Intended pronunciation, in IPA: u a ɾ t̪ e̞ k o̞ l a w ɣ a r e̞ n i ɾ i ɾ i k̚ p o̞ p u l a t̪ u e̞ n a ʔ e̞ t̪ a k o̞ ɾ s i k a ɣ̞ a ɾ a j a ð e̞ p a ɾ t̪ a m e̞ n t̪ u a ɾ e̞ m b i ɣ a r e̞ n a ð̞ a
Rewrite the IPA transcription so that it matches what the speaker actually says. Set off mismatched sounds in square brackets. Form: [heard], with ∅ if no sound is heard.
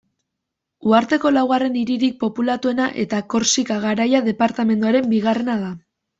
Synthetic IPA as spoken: u a ɾ t̪ e̞ k o̞ l a w ɣ a r e̞ n i ɾ i ɾ i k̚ p o̞ p u l a t̪ u e̞ n a ʔ e̞ t̪ a k o̞ ɾ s i k a ɣ̞ a ɾ a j a ð e̞ p a ɾ t̪ a m e̞ n [d̪] u a ɾ e̞ m b i ɣ a r e̞ n a ð̞ a